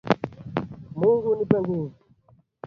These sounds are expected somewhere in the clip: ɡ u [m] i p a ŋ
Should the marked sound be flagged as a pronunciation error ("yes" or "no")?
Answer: yes